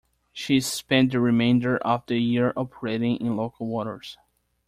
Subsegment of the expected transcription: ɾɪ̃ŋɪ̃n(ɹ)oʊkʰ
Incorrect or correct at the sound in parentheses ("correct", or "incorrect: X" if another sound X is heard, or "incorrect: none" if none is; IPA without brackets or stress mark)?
incorrect: l